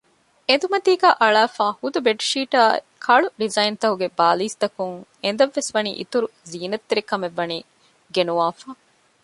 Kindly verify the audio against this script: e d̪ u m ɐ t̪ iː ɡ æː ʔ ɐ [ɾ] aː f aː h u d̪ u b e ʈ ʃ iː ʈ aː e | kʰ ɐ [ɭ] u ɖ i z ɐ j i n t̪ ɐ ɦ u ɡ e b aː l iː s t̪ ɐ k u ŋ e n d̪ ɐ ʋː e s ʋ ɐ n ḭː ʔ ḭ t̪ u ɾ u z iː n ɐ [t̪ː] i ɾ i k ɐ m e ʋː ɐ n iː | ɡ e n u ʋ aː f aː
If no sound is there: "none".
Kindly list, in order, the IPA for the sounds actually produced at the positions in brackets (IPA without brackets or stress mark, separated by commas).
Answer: ɭ, ɭ, t̪ː